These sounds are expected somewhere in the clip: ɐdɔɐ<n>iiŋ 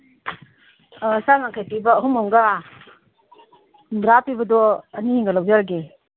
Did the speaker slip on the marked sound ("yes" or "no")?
no